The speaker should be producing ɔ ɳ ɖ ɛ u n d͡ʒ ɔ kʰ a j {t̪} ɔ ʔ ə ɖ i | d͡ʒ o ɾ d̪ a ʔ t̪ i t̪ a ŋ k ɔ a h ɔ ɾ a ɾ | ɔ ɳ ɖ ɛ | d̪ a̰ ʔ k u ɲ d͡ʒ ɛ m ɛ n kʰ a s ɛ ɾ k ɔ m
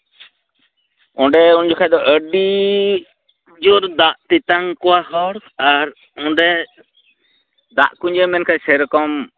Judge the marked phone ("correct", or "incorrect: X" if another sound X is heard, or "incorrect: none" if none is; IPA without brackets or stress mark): incorrect: d̪